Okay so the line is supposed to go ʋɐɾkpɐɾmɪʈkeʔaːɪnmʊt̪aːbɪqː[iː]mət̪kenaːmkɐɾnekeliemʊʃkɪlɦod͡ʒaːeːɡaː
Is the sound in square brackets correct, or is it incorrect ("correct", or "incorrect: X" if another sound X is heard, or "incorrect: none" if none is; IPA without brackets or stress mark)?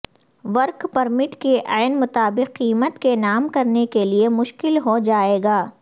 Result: correct